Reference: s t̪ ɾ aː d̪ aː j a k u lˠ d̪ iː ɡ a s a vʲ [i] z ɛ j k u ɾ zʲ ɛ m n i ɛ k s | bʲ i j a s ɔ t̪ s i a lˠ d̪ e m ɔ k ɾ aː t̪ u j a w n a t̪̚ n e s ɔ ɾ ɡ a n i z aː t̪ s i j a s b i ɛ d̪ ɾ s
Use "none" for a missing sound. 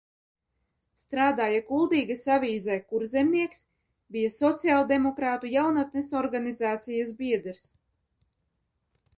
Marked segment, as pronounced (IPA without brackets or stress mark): iː